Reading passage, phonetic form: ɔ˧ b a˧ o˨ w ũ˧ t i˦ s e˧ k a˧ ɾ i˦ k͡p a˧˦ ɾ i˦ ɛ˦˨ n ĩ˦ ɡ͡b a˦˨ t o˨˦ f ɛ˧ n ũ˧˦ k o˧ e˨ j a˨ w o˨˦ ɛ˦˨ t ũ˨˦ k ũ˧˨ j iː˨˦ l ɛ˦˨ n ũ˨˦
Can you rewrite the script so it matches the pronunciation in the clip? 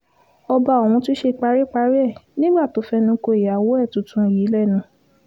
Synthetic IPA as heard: ɔ˧ b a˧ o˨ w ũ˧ t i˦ ʃ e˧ k͡p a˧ ɾ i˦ k͡p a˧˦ ɾ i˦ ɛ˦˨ n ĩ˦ ɡ͡b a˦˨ t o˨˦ f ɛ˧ n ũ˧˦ k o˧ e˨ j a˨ w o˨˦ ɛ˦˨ t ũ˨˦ t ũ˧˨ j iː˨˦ l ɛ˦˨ n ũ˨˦